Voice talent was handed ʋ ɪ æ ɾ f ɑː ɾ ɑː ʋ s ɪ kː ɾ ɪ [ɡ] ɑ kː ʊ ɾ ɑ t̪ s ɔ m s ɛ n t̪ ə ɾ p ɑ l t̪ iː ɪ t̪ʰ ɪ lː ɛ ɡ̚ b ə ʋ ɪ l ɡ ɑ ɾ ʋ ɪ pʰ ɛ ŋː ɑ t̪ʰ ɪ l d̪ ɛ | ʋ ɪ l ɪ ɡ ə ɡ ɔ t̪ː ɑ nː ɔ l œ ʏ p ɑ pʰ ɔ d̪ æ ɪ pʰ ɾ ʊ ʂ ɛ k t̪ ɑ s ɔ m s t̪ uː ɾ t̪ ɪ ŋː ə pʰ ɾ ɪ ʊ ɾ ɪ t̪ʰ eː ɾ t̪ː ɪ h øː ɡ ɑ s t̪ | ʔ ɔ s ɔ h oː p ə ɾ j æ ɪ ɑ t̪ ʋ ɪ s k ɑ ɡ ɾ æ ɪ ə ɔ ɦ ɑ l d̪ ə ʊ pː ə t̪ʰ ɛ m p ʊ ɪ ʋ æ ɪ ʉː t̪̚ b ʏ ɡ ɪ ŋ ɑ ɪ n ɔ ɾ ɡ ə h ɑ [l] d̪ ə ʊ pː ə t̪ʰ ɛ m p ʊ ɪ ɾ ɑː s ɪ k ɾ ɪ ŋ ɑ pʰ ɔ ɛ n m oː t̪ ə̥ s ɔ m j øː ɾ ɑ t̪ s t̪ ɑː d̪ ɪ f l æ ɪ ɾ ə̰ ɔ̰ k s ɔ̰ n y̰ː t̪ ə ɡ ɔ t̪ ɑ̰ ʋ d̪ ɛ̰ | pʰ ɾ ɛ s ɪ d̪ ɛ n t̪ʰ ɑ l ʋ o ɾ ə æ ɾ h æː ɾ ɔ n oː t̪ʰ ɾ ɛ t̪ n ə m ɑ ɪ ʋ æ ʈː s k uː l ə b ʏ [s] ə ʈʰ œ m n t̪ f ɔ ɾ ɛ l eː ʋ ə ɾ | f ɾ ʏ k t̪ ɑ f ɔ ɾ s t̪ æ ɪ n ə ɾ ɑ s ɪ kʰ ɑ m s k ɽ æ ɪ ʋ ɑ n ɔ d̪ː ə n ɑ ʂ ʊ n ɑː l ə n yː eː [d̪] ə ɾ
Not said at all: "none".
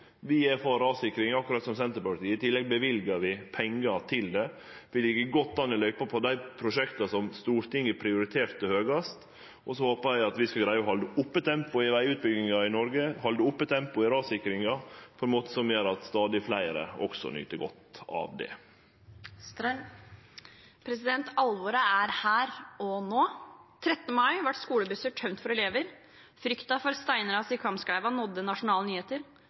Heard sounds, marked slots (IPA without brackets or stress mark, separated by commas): ŋ, l, s, t̪